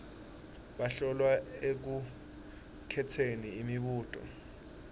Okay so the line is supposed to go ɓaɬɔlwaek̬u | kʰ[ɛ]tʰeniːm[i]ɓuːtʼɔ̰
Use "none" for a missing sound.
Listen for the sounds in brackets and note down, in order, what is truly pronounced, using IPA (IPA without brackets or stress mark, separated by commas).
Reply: ɛ, i